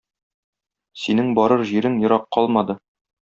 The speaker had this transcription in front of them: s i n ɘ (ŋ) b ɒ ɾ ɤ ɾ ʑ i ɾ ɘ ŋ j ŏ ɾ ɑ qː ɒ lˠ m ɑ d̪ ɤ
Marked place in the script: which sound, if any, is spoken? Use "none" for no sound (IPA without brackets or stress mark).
ŋ